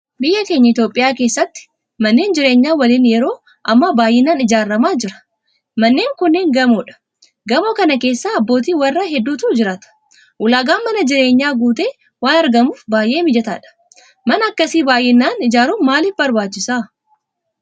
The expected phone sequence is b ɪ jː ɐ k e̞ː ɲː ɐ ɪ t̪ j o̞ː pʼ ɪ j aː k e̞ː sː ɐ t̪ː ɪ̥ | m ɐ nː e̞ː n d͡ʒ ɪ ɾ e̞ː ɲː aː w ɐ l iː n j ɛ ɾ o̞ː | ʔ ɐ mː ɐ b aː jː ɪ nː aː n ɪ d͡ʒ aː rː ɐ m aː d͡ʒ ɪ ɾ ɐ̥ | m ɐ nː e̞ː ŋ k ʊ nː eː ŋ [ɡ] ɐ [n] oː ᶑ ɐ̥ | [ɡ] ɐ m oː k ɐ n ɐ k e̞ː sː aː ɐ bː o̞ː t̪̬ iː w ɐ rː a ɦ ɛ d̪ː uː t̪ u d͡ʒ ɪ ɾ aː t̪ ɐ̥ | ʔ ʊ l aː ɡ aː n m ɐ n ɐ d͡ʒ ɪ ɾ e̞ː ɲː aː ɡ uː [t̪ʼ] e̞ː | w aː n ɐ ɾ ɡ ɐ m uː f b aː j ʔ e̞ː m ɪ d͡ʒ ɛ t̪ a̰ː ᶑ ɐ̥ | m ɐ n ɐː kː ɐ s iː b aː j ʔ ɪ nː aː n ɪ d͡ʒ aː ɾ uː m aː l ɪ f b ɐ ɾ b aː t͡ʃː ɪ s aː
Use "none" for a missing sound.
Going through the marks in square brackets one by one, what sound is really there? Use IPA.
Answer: ɡ, m, ɡ, t̪

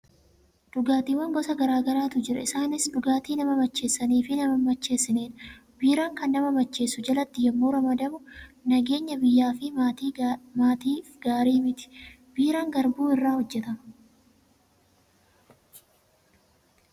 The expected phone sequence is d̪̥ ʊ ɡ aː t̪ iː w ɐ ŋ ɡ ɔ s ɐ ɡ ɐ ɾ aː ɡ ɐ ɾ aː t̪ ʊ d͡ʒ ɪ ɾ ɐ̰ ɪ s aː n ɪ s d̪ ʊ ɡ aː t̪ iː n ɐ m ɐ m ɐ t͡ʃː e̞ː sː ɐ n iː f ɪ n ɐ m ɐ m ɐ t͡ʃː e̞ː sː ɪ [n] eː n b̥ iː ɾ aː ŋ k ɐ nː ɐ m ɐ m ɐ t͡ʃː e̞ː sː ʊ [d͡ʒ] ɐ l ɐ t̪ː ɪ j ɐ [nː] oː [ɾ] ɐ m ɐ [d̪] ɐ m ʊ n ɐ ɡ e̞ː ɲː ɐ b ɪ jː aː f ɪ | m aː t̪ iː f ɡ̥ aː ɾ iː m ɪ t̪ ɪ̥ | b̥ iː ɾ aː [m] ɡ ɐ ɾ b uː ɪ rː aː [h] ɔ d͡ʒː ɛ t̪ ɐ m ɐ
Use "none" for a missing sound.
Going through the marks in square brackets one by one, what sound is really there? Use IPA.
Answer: n, d͡ʒ, mː, ɾ, d̪, ŋ, h

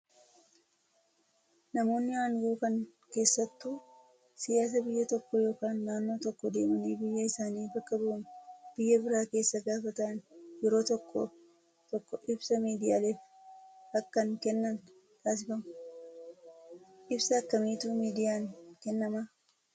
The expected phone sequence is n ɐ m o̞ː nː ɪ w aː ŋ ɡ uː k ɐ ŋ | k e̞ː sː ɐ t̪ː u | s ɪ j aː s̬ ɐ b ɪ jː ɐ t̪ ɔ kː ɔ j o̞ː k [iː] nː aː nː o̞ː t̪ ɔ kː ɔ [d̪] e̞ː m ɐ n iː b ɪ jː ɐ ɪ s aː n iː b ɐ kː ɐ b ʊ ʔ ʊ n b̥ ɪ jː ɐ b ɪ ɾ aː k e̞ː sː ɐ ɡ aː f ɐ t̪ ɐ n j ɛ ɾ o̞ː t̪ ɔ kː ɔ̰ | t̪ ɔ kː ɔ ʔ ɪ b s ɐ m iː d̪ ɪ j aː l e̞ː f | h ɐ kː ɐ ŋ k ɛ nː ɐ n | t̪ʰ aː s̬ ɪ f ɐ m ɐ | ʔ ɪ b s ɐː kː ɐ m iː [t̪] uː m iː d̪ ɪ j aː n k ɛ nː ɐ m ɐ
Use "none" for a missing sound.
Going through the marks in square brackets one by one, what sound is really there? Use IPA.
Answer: aː, d̪, t̪

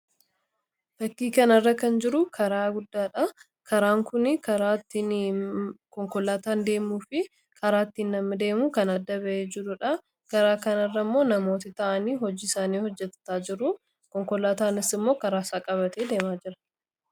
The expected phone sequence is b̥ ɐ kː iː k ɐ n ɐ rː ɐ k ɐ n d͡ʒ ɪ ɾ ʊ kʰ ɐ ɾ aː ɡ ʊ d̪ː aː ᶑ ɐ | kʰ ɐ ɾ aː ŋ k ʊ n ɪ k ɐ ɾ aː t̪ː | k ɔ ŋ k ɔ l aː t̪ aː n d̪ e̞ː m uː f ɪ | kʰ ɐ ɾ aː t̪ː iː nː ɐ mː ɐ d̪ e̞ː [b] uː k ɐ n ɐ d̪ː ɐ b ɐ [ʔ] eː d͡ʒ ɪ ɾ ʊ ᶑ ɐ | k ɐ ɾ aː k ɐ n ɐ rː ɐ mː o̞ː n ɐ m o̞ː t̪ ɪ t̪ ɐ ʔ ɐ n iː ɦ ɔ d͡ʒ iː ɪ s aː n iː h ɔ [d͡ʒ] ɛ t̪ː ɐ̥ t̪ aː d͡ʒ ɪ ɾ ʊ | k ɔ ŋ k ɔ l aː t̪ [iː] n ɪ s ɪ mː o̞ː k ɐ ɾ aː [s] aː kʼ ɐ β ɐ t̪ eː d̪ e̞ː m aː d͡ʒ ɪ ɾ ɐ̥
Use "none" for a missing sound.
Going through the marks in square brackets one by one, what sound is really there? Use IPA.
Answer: m, ʔ, d͡ʒː, aː, s

